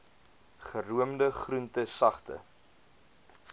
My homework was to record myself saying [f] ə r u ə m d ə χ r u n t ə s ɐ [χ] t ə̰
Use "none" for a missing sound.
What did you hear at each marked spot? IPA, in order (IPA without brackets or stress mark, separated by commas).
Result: χ, χ